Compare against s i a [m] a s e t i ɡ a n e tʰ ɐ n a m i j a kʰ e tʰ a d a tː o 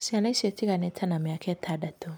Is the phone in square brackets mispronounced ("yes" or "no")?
yes